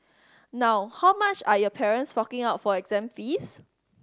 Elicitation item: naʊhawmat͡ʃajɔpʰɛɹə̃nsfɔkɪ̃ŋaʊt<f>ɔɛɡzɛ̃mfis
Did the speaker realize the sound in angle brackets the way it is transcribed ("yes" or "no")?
yes